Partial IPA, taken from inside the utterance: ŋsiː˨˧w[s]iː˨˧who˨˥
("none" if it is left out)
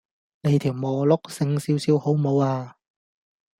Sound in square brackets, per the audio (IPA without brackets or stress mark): s